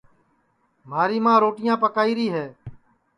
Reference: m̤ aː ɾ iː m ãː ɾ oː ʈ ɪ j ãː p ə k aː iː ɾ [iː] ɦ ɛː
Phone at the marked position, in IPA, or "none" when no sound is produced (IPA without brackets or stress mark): iː